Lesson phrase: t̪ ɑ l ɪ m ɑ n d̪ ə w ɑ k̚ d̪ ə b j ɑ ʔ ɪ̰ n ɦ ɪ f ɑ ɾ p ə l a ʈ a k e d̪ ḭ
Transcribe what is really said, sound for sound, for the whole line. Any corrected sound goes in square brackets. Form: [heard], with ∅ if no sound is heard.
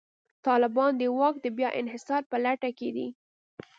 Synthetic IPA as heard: t̪ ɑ l ɪ [b] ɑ n d̪ ə w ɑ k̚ d̪ ə b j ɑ ʔ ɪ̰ n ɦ ɪ [s] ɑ ɾ p ə l a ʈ a k e d̪ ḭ